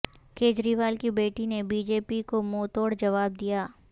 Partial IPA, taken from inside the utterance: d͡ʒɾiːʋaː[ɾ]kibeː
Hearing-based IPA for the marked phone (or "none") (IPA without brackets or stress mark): l